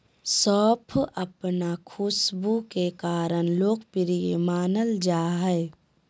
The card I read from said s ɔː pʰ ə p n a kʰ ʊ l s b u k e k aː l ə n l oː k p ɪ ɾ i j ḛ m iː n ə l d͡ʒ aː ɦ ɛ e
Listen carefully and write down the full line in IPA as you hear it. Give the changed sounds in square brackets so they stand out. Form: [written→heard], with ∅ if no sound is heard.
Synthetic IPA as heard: s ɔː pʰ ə p n a kʰ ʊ [l→∅] s b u k e k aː [l→ɾ] ə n l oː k p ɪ ɾ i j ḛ m [iː→aː] n ə l d͡ʒ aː ɦ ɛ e